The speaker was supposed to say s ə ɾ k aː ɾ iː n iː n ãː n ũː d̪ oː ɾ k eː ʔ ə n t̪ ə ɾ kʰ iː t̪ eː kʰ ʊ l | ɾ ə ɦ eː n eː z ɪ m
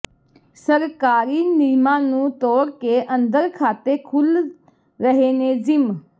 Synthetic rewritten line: s ə ɾ k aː ɾ iː n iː m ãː n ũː t̪ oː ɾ k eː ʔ ə n d̪ ə ɾ kʰ aː t̪ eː kʰ ʊ l | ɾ ə ɦ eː n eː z ɪ m